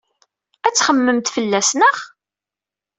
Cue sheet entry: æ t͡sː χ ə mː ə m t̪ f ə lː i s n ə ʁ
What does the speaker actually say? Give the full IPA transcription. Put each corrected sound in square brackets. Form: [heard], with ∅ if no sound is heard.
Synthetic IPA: æ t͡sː χ ə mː ə m t̪ f ə lː [æ] s n ə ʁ

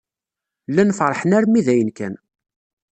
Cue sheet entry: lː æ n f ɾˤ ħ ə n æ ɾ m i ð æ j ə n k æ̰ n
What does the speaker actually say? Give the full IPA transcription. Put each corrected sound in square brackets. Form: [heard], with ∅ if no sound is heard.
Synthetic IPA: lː æ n f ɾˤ ħ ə n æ ɾ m i ð æ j ə n k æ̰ n

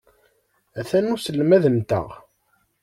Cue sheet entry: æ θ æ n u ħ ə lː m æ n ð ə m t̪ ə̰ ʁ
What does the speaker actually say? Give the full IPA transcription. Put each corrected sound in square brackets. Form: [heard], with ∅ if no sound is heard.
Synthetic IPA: æ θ æ n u [s] ə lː m æ [∅] ð ə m t̪ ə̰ ʁ

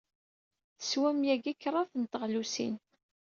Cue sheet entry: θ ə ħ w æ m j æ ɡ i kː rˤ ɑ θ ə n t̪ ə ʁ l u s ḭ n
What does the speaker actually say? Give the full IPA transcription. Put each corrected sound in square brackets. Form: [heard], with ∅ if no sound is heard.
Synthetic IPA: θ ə [s] w æ m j æ ɡ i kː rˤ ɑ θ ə n t̪ ə ʁ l u s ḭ n

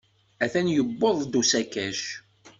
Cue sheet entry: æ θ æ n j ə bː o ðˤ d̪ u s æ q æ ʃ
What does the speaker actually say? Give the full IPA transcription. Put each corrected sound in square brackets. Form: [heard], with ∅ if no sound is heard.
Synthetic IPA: æ θ æ n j ə bː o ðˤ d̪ u s æ [k] æ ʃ

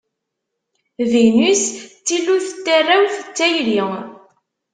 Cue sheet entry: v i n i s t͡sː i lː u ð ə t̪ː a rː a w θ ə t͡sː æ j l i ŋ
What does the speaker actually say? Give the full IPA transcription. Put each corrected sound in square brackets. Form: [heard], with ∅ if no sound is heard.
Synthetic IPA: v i n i s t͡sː i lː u [θ] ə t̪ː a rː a w θ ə t͡sː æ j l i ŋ

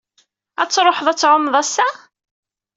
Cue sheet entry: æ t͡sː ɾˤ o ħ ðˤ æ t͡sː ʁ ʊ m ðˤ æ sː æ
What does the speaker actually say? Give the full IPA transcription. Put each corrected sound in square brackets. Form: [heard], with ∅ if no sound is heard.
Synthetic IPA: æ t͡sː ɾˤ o ħ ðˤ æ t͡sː [ʕ] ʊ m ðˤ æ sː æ

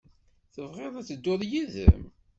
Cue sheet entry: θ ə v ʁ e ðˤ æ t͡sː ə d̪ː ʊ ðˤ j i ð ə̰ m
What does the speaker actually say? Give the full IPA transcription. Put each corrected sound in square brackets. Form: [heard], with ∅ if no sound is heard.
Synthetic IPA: θ ə v ʁ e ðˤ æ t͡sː ə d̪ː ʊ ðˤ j i ð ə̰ m

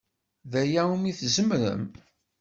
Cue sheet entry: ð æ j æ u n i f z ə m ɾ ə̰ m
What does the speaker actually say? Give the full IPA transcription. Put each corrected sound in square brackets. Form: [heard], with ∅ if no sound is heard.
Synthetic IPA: ð æ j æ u [m] i [θ] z ə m ɾ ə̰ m

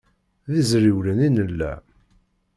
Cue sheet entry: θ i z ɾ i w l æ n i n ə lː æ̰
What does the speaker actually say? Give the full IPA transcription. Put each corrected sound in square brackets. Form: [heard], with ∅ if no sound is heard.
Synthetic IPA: [ð] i z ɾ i w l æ n i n ə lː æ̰

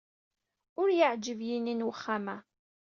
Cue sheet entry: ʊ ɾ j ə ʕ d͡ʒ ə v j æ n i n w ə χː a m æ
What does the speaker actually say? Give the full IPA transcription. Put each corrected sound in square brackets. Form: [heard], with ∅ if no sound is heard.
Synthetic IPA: ʊ ɾ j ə ʕ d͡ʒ ə v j [i] n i n w ə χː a m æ

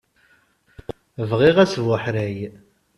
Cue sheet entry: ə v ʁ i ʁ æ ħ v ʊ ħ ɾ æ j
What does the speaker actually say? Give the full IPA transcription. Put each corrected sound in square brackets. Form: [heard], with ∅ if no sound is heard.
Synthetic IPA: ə v ʁ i ʁ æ [s] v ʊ ħ ɾ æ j

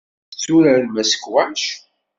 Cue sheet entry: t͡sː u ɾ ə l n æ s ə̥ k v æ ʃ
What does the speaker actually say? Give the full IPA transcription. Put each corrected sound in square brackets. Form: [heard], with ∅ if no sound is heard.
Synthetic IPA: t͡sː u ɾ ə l [m] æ s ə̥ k [w] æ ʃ

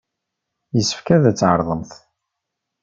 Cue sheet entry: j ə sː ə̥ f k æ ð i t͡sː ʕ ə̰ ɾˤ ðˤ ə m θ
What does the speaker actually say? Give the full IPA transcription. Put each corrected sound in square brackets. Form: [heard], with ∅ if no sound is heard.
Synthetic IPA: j ə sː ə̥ f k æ ð [æ] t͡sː ʕ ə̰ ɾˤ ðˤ ə m θ

